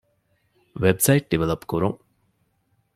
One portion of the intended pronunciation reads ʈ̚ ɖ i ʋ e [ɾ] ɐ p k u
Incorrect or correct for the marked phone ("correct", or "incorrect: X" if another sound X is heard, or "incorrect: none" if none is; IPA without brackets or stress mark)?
incorrect: l